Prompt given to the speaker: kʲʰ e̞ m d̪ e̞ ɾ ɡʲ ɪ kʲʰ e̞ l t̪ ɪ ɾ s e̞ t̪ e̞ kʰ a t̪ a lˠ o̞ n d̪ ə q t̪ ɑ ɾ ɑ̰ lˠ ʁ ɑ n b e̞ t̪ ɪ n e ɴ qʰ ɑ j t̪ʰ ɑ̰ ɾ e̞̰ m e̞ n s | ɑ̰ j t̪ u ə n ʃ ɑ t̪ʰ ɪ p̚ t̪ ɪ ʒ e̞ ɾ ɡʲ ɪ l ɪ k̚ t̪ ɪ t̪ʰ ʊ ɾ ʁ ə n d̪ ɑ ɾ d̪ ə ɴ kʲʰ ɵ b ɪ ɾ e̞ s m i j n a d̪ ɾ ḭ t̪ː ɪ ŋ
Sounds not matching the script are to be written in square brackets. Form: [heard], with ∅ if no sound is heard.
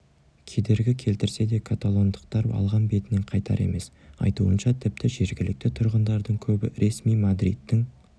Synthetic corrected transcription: kʲʰ e̞ [∅] d̪ e̞ ɾ ɡʲ ɪ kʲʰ e̞ l t̪ ɪ ɾ s e̞ [d̪] e̞ kʰ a t̪ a lˠ o̞ n d̪ ə q t̪ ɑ ɾ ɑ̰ lˠ ʁ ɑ n b e̞ t̪ ɪ n e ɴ qʰ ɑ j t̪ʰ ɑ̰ ɾ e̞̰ m e̞ [∅] s | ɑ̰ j t̪ u ə n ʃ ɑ t̪ʰ ɪ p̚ t̪ ɪ ʒ e̞ ɾ ɡʲ ɪ l ɪ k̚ t̪ ɪ t̪ʰ ʊ ɾ ʁ ə n d̪ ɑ ɾ d̪ ə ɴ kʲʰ ɵ b ɪ ɾ e̞ s m i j [m] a d̪ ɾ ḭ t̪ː ɪ ŋ